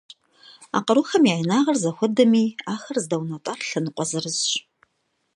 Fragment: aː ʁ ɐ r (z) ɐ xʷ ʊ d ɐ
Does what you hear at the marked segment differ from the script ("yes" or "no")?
no